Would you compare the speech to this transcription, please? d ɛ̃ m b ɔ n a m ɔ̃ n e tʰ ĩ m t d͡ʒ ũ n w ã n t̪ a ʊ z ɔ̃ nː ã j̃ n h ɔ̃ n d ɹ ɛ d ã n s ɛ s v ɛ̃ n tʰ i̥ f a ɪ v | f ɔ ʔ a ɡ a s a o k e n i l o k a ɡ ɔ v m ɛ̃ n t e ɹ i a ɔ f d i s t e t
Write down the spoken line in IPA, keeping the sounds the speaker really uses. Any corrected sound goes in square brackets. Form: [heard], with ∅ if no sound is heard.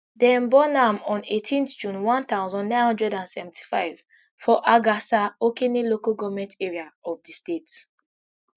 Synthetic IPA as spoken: d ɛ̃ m b ɔ n a m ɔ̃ n e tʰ ĩ [n] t d͡ʒ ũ n w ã n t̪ a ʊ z ɔ̃ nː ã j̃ n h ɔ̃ n d ɹ ɛ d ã n s ɛ [∅] v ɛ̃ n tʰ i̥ f a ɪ v | f ɔ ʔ a ɡ a s a o k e n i l o k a ɡ ɔ v m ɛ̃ n t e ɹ i a ɔ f d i s t e t